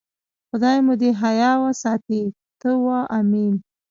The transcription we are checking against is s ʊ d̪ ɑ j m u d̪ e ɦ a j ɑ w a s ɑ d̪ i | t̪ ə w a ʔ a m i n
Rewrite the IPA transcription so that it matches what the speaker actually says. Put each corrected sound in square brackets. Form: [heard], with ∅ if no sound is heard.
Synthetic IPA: [x] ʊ d̪ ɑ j m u d̪ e ɦ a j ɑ w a s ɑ [t̪] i | t̪ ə w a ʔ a m i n